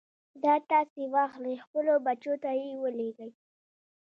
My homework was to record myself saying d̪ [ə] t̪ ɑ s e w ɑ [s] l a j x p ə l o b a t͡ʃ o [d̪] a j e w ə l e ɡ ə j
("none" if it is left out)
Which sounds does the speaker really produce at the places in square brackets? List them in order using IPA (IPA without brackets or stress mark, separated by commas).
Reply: ɑ, x, t̪